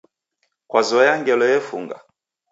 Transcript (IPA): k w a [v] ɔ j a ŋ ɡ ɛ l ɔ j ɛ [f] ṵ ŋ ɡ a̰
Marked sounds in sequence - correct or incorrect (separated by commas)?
incorrect, correct